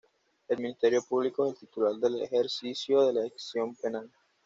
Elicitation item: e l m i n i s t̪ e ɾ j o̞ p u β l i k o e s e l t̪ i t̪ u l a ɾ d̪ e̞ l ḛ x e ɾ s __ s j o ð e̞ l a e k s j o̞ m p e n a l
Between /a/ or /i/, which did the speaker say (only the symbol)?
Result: i